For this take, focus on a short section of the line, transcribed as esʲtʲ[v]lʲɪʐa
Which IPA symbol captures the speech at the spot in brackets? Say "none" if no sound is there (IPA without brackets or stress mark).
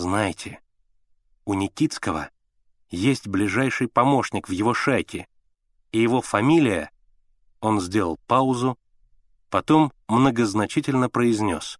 b